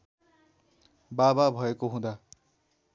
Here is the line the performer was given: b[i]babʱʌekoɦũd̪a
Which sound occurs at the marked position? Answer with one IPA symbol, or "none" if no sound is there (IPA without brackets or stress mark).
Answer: a